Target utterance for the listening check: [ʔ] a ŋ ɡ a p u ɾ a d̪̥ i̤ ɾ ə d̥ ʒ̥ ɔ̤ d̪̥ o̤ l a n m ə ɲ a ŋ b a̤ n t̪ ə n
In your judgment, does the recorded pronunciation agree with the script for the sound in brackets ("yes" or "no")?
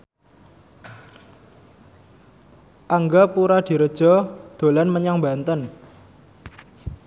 yes